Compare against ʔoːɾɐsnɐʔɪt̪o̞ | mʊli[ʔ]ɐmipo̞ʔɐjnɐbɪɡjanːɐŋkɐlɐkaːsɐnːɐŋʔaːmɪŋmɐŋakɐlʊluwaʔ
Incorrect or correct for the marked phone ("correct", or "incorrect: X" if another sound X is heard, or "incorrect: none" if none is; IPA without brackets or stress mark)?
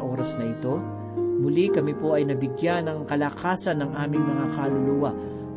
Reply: incorrect: k